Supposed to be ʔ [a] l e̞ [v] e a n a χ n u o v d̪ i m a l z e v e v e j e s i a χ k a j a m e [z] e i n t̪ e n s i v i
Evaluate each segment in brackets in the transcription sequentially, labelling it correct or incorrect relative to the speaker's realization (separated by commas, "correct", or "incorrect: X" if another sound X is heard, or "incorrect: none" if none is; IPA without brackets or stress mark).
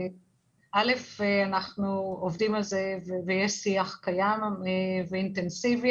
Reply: correct, incorrect: f, incorrect: v